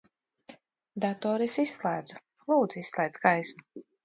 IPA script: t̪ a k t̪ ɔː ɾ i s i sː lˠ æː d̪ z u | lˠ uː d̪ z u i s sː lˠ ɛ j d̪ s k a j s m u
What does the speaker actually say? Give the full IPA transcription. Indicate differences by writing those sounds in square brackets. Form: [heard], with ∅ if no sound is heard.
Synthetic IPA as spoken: [d̪] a [∅] t̪ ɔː ɾ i s i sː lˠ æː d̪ z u | lˠ uː d̪ z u i s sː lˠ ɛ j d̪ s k a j s m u